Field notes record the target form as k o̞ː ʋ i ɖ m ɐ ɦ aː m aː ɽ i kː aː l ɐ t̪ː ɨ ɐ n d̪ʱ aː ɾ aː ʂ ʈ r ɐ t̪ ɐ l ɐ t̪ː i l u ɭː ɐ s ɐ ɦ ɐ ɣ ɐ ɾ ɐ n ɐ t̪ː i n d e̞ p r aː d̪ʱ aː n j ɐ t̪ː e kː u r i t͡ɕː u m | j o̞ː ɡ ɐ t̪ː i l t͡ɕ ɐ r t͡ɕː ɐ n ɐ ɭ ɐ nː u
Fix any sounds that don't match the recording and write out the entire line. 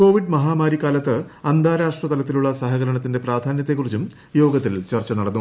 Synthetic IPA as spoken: k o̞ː ʋ i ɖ m ɐ ɦ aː m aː ɾ i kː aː l ɐ t̪ː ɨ ɐ n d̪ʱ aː ɾ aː ʂ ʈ r ɐ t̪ ɐ l ɐ t̪ː i l u ɭː ɐ s ɐ ɦ ɐ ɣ ɐ ɾ ɐ ɳ ɐ t̪ː i n d e̞ p r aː d̪ʱ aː n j ɐ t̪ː e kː u r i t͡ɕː u m | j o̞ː ɡ ɐ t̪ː i l t͡ɕ ɐ r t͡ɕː ɐ n ɐ ɽ ɐ nː u